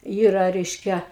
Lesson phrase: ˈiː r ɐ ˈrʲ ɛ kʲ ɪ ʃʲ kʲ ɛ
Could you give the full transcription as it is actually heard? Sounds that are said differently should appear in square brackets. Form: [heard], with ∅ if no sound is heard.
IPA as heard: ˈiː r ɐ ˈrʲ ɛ [∅] ɪ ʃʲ kʲ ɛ